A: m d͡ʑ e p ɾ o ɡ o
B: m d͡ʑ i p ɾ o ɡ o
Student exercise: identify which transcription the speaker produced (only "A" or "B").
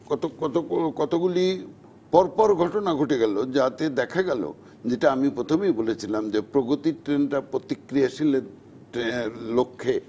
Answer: A